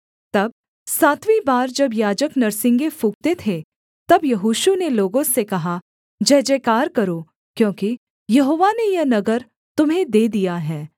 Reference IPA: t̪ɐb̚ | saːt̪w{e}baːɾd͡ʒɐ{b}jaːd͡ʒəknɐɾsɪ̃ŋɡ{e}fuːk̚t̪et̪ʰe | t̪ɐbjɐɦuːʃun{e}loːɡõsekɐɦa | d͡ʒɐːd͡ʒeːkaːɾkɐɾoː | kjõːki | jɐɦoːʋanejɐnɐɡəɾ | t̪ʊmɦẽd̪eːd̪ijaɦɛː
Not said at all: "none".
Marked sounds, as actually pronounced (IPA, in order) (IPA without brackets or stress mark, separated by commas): i, b, e, e